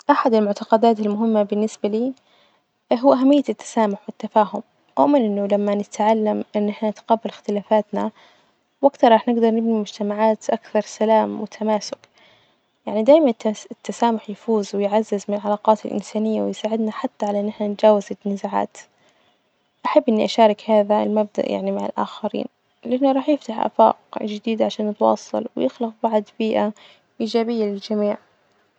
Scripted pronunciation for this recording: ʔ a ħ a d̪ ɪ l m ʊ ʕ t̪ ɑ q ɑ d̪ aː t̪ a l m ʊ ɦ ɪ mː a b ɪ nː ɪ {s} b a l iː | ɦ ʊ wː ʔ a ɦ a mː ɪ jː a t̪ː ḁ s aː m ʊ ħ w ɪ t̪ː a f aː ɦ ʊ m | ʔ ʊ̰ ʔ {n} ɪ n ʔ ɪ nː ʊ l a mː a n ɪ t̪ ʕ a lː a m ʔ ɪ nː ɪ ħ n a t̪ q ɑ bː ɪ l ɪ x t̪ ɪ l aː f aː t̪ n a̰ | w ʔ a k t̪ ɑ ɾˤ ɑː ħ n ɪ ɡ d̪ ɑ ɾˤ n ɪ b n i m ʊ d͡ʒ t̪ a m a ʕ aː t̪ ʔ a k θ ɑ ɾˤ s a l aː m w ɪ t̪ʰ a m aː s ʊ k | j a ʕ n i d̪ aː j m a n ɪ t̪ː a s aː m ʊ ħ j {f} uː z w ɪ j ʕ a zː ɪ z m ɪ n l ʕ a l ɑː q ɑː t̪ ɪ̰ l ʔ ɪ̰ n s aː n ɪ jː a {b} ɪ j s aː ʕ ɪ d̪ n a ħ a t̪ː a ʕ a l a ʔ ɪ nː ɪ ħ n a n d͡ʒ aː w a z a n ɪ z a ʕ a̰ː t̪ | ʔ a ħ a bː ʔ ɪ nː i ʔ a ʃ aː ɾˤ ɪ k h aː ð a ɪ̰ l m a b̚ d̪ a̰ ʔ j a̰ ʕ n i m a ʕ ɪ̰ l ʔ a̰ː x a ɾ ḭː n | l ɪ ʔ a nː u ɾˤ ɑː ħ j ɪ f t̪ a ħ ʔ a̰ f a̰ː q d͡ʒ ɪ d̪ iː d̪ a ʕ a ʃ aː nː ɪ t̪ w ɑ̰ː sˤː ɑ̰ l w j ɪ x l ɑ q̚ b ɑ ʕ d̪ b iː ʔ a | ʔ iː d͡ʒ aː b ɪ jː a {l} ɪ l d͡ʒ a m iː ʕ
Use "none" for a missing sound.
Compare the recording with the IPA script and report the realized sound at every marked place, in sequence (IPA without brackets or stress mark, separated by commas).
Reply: s, m, f, w, l